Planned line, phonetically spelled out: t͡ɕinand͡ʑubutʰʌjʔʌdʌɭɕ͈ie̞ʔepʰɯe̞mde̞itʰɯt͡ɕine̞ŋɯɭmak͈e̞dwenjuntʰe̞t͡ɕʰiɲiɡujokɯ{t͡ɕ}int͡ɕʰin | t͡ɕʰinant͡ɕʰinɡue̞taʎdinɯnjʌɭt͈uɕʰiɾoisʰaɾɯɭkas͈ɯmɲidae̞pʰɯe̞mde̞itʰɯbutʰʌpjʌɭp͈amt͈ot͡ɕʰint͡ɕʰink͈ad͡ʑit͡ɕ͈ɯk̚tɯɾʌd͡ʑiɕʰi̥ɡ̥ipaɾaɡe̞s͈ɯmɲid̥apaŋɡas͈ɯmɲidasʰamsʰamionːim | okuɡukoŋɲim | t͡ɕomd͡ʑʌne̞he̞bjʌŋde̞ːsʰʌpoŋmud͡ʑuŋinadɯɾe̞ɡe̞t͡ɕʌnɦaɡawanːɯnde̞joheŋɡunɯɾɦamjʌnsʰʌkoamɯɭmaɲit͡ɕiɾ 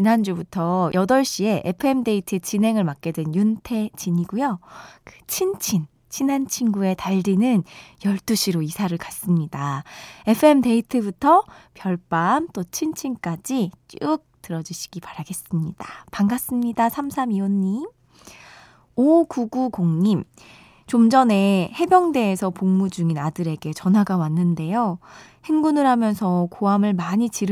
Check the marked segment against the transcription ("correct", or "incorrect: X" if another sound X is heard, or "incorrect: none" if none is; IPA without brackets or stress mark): incorrect: t͡ɕʰ